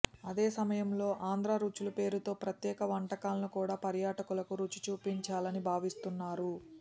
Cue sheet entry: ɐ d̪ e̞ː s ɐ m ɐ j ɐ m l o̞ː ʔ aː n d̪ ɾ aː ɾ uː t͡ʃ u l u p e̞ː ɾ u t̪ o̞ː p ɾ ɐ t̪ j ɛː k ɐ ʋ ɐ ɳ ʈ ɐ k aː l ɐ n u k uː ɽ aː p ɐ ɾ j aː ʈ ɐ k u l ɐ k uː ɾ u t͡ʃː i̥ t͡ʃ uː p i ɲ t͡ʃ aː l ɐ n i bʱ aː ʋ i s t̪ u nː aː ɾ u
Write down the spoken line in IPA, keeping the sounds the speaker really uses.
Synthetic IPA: ɐ d̪ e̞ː s ɐ m ɐ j ɐ m l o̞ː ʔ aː n d̪ ɾ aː ɾ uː t͡ʃ u l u p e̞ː ɾ u t̪ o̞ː p ɾ ɐ t̪ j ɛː k ɐ ʋ ɐ ɳ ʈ ɐ k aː l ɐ n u k uː ɽ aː p ɐ ɾ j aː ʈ ɐ k u l ɐ k u ɾ u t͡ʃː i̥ t͡ʃ uː p i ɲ t͡ʃ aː l ɐ n i bʱ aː ʋ i s t̪ u nː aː ɾ u

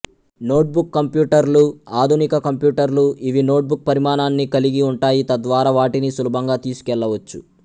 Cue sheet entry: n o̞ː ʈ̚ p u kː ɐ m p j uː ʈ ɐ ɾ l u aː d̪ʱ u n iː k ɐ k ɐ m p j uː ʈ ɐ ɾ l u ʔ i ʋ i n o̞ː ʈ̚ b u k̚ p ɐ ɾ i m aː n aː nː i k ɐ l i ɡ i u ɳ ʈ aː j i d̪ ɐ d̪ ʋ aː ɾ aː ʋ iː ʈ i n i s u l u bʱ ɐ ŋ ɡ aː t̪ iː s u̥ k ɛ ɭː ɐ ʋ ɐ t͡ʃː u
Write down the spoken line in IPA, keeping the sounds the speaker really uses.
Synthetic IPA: n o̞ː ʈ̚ b u kː ɐ m p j uː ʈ ɐ ɾ l u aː d̪ʱ u n i k ɐ k ɐ m p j uː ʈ ɐ ɾ l u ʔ i ʋ i n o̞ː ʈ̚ b u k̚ p ɐ ɾ i m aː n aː nː i k ɐ l i ɡ i u ɳ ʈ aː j i t̪ ɐ d̪ ʋ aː ɾ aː ʋ aː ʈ i n i s u l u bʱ ɐ ŋ ɡ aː t̪ iː s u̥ k ɛ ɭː ɐ ʋ ɐ t͡ʃː u

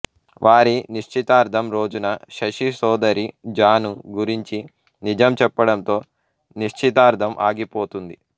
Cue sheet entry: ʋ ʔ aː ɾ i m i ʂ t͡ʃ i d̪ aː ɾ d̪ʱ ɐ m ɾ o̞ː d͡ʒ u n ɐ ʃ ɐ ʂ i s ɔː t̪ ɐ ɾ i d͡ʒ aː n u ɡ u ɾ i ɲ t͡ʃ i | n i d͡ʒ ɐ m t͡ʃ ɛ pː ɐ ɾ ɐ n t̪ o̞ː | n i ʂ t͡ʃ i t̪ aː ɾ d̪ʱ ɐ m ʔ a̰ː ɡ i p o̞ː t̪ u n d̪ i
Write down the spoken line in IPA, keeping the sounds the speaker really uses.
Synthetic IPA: ʋ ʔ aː ɾ i n i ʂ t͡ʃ i t̪ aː ɾ d̪ʱ ɐ m ɾ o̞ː d͡ʒ u n ɐ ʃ ɐ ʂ i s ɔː d̪ ɐ ɾ i d͡ʒ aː n u ɡ u ɾ i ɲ t͡ʃ i | n i d͡ʒ ɐ m t͡ʃ ɛ pː ɐ ɽ ɐ n t̪ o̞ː | n i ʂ t͡ʃ i t̪ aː ɾ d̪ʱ ɐ m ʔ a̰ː ɡ i p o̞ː t̪ u n d̪ i

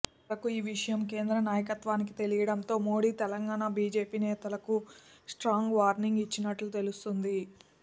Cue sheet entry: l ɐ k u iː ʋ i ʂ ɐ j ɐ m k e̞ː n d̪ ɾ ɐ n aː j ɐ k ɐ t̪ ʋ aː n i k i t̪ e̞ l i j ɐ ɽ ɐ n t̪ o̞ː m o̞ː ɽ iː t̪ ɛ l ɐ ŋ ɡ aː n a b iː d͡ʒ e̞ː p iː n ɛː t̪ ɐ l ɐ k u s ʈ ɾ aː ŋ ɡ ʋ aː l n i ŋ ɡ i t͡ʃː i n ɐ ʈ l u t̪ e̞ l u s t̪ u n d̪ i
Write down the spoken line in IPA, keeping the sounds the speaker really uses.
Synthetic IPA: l ɐ k u iː ʋ i ʂ ɐ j ɐ m k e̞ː n d̪ ɾ ɐ n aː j ɐ k ɐ t̪ ʋ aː n i k i t̪ e̞ l i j ɐ ɽ ɐ n t̪ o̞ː m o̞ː ɽ iː t̪ ɛ l ɐ ŋ ɡ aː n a b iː d͡ʒ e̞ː p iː n ɛː t̪ ɐ l ɐ k u s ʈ ɾ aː ŋ ɡ ʋ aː ɾ n i ŋ ɡ i t͡ʃː i n ɐ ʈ l u t̪ e̞ l u s t̪ u n d̪ i

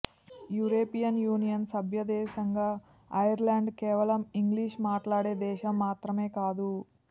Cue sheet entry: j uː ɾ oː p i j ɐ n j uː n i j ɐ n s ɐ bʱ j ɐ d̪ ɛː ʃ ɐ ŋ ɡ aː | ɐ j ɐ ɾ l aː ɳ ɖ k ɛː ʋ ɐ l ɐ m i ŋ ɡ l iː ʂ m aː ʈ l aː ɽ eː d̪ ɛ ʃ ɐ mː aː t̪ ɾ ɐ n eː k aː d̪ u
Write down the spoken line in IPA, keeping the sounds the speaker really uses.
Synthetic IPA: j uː ɾ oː p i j ɐ n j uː n i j ɐ n s ɐ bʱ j ɐ d̪ ɛː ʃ ɐ ŋ ɡ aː | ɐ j ɐ ɾ l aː ɳ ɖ k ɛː ʋ ɐ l ɐ m i ŋ ɡ l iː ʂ m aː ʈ l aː ɽ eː d̪ ɛː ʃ ɐ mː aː t̪ ɾ ɐ m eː k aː d̪ u

